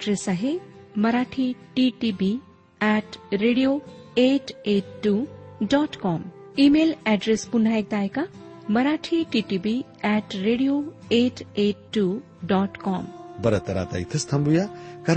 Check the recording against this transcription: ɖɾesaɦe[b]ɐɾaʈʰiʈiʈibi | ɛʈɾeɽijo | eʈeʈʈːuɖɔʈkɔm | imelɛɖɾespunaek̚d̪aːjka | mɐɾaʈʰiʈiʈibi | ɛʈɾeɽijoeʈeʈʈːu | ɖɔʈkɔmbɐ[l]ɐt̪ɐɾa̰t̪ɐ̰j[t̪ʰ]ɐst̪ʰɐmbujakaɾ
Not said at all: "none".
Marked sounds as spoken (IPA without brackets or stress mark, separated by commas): m, ɾ, t̪ʰ